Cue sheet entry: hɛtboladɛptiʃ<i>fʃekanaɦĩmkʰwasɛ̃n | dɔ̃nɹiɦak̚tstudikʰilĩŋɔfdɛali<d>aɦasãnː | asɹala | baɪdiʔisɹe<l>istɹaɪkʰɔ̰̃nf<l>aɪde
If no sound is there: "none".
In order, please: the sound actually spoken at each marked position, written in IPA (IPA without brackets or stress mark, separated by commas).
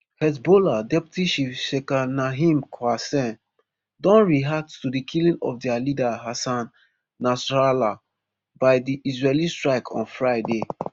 i, d, l, ɹ